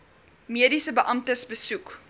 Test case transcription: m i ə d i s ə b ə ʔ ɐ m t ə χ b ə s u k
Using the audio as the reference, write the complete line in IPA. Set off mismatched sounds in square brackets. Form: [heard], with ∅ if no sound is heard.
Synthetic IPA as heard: m i ə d i s ə b ə ʔ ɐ m t ə [s] b ə s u k